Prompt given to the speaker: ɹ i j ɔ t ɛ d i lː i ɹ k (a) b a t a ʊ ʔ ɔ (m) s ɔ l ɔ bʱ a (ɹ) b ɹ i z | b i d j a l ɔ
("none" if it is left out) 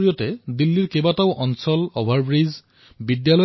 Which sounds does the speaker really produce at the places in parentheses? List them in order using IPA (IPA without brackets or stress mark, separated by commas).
e, n, ɹ